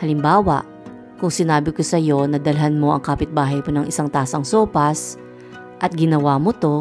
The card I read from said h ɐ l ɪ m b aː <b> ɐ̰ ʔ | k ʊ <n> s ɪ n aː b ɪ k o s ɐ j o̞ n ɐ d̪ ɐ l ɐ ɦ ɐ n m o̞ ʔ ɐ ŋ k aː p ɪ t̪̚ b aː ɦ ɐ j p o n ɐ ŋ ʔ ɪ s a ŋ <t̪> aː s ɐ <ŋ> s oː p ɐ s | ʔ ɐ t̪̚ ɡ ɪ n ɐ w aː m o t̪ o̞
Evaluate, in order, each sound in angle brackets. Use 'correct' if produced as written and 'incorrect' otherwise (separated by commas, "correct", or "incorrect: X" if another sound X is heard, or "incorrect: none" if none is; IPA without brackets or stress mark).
incorrect: w, incorrect: ŋ, correct, correct